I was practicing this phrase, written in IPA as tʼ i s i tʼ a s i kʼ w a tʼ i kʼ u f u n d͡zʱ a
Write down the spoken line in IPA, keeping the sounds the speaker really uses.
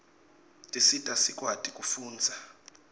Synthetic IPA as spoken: tʼ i s i tʼ a s i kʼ w a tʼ i kʼ u f uː n d͡zʱ a

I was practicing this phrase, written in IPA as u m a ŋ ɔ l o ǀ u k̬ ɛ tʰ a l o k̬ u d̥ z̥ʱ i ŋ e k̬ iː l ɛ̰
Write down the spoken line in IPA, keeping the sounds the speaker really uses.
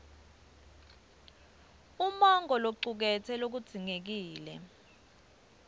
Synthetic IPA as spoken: u m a ŋ ɔ l o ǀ u k̬ ɛ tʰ ɛ l o k̬ u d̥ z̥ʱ i ŋ e k̬ iː l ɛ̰

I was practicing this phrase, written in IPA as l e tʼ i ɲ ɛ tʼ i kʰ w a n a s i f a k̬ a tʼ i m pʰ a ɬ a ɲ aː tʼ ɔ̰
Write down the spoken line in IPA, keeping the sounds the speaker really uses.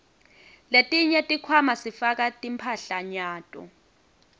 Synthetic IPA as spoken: l e tʼ i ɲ ɛ tʼ i kʰ w a m a s i f a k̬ a tʼ i m pʰ a ɬ a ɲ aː tʼ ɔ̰

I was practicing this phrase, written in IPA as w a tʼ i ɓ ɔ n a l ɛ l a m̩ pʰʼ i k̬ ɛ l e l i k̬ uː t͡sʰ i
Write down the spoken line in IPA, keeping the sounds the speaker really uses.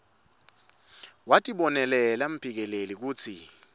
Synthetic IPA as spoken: w a tʼ i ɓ ɔ n ɛ l ɛ l a m̩ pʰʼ i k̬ ɛ l e l i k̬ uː t͡sʰ i

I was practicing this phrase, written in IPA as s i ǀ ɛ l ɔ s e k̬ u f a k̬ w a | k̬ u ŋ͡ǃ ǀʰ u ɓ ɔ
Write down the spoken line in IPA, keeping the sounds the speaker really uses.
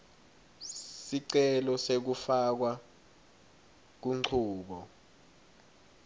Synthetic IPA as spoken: s i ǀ ɛ l ɔ s e k̬ u f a k̬ w a | k̬ u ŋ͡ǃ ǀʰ uː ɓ ɔ

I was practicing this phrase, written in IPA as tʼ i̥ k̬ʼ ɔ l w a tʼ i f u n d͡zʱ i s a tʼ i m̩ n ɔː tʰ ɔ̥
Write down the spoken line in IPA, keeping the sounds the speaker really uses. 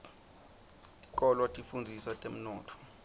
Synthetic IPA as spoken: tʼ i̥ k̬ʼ ɔ l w a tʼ i f u n d͡zʱ i s a tʼ e m̩ n ɔː tʰ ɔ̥

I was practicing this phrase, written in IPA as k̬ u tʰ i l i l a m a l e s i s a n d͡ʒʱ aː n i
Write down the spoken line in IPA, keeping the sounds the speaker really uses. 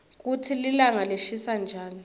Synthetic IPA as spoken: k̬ u tʰ i l i l a ŋ a l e ʃ i s a n d͡ʒʱ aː n i

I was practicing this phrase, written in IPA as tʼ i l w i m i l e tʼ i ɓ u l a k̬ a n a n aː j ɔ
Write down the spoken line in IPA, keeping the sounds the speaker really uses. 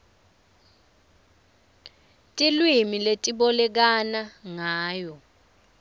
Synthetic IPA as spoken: tʼ i l w i m i l e tʼ i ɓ ɔ l ɛ k̬ a n a ŋ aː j ɔ

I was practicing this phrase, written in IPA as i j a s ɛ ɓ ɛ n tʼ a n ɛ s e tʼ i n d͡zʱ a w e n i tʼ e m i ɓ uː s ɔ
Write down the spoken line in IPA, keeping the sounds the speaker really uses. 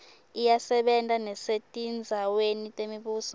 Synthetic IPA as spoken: i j a s ɛ ɓ ɛ n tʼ a n ɛ s e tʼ i n d͡zʱ a w e n i tʼ e m i ɓ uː s ɔ

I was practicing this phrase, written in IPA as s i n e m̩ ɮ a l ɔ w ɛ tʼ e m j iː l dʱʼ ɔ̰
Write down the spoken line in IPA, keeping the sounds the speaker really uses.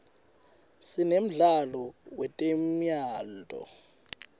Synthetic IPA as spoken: s i n e m̩ ɮ a l ɔ w ɛ tʼ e m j aː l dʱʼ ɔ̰

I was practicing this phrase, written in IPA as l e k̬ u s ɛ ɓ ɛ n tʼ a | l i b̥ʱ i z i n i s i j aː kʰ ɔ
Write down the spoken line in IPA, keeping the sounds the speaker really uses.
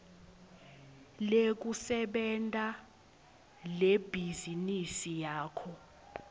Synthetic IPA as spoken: l e k̬ u s ɛ ɓ ɛ n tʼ a | l e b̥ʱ i z i n i s i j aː kʰ ɔ

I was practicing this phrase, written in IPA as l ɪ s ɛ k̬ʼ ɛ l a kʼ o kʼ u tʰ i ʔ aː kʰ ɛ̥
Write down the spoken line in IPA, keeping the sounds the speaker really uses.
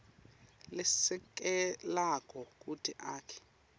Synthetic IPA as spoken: l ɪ s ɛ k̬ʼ ɛ l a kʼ ɔ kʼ u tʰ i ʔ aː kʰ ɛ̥

